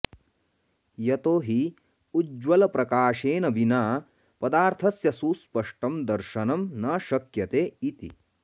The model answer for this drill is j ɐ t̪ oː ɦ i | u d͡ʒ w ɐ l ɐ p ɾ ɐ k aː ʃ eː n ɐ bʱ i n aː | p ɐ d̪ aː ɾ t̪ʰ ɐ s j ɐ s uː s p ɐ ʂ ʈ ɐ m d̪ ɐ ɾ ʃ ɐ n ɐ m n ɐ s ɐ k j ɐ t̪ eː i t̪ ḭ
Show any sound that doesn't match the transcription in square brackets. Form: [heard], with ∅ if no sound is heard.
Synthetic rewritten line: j ɐ t̪ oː ɦ i | u d͡ʒ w ɐ l ɐ p ɾ ɐ k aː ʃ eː n ɐ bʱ i n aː | p ɐ d̪ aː ɾ t̪ʰ ɐ s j ɐ s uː s p ɐ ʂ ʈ ɐ m d̪ ɐ ɾ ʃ ɐ n ɐ m n ɐ [ʃ] ɐ k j ɐ t̪ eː i t̪ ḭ

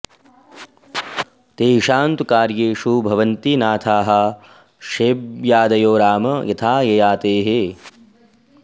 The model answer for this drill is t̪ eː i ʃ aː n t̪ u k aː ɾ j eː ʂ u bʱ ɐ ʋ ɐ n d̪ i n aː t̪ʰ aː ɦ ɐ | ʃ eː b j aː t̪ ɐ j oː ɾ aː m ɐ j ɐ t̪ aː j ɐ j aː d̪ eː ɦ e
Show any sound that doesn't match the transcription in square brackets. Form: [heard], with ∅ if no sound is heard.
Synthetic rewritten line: t̪ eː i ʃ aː n t̪ u k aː ɾ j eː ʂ u bʱ ɐ ʋ ɐ n [t̪] i n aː t̪ʰ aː ɦ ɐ | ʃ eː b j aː [d̪] ɐ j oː ɾ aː m ɐ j ɐ [t̪ʰ] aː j ɐ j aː [t̪] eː ɦ e

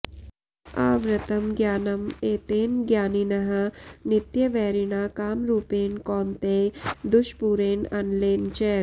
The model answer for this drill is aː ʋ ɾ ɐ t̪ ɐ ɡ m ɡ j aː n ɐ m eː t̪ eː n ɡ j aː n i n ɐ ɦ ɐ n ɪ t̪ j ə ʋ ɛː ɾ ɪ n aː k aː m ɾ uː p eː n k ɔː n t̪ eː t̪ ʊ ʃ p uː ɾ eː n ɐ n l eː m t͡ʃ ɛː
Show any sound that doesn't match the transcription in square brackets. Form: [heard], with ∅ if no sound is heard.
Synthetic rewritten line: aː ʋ ɾ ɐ t̪ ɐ [∅] m ɡ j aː n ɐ m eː t̪ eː n ɡ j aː n i n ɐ ɦ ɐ n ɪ t̪ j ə ʋ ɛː ɾ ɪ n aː k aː m ɾ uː p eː n k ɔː n t̪ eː [d̪] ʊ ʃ p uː ɾ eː n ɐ n l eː [n] t͡ʃ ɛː

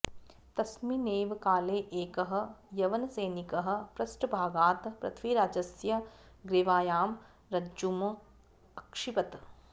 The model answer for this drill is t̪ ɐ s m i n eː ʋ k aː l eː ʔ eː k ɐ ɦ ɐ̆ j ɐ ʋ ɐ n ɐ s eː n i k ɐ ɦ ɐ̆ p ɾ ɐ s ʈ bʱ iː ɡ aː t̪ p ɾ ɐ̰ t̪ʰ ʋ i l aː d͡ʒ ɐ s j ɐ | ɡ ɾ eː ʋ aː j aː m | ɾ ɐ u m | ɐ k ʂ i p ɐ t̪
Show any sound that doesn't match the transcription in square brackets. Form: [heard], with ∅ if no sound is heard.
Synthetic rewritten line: t̪ ɐ s m i n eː ʋ k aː l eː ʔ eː k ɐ ɦ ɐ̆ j ɐ ʋ ɐ n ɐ s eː n i k ɐ ɦ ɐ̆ p ɾ ɐ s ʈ bʱ [aː] ɡ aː t̪ p ɾ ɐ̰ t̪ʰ ʋ i [ɾ] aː d͡ʒ ɐ s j ɐ | ɡ ɾ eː ʋ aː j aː m | ɾ ɐ u m | ɐ k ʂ i p ɐ t̪

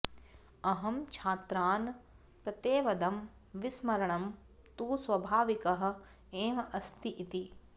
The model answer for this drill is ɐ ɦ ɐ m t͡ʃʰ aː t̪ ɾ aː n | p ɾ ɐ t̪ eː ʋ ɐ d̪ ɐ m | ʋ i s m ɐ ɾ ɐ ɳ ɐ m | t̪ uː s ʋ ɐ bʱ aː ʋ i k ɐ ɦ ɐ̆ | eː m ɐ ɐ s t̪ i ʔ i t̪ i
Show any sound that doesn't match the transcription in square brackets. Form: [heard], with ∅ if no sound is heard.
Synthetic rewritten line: ɐ ɦ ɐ m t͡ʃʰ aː t̪ ɾ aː n | p ɾ ɐ t̪ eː ʋ ɐ d̪ ɐ m | ʋ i s m ɐ ɾ ɐ ɳ ɐ m | t̪ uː s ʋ ɐ bʱ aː ʋ i k ɐ ɦ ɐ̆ | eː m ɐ ɐ s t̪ i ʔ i t̪ i

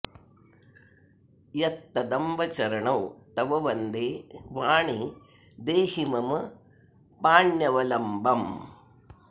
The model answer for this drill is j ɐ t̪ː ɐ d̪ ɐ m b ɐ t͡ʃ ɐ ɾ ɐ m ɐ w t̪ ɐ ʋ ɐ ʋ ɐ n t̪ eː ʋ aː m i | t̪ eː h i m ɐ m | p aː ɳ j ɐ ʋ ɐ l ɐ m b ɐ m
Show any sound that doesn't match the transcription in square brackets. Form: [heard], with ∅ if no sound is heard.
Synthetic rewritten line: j ɐ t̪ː ɐ d̪ ɐ m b ɐ t͡ʃ ɐ ɾ ɐ [ɳ] ɐ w t̪ ɐ ʋ ɐ ʋ ɐ n [d̪] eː ʋ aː [ɳ] i | [d̪] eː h i m ɐ m | p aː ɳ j ɐ ʋ ɐ l ɐ m b ɐ m

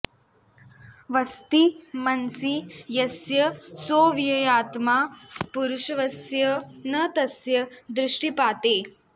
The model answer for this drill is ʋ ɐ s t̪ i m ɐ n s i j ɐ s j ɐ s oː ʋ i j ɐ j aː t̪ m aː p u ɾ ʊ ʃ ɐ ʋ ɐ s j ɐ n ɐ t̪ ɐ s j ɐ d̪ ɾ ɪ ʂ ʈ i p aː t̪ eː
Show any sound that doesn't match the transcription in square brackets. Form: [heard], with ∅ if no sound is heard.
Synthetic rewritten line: ʋ ɐ s t̪ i m ɐ n s i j ɐ s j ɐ s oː ʋ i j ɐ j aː t̪ m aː p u ɾ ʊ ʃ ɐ ʋ ɐ s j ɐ n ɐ t̪ ɐ s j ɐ d̪ ɾ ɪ ʂ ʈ i p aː t̪ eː

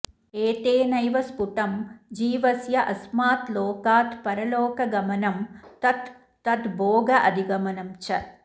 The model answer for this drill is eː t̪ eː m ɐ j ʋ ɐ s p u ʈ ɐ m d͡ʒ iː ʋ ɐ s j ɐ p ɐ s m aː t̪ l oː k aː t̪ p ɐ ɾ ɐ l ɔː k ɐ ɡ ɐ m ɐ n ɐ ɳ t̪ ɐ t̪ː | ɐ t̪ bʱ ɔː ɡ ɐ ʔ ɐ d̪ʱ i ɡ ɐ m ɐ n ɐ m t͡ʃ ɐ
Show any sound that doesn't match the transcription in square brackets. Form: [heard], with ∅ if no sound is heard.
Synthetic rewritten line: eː t̪ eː [n] ɐ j ʋ ɐ s p u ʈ ɐ m d͡ʒ iː ʋ ɐ s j ɐ [ʔ] ɐ s m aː t̪ l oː k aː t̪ p ɐ ɾ ɐ l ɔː k ɐ ɡ ɐ m ɐ n ɐ [m] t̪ ɐ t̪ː | ɐ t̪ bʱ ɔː ɡ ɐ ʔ ɐ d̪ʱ i ɡ ɐ m ɐ n ɐ m t͡ʃ ɐ

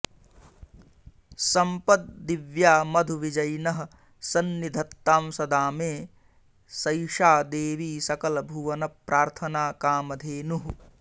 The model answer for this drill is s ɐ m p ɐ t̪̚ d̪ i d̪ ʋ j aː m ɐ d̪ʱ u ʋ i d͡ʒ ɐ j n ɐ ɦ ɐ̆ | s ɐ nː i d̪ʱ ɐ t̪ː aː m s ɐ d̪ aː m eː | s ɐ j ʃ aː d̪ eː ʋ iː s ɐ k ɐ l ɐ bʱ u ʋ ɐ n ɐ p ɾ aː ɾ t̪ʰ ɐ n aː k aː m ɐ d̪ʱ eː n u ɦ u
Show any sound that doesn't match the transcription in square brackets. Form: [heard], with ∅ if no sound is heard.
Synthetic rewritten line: s ɐ m p ɐ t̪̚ d̪ i [∅] ʋ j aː m ɐ d̪ʱ u ʋ i d͡ʒ ɐ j n ɐ ɦ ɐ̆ | s ɐ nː i d̪ʱ ɐ t̪ː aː m s ɐ d̪ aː m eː | s ɐ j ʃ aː d̪ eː ʋ iː s ɐ k ɐ l ɐ bʱ u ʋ ɐ n ɐ p ɾ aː ɾ t̪ʰ ɐ n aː k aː m ɐ d̪ʱ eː n u ɦ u

